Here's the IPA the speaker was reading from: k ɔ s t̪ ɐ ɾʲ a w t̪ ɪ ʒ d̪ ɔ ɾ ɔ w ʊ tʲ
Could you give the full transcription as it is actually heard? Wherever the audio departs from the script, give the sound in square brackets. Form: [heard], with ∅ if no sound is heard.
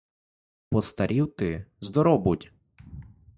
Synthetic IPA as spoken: [p] ɔ s t̪ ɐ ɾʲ [i] w t̪ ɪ [z] d̪ ɔ ɾ ɔ [b] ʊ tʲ